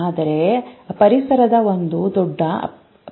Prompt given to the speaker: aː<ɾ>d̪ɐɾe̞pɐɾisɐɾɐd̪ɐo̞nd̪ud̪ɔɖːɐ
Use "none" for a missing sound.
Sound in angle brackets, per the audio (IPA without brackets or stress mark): none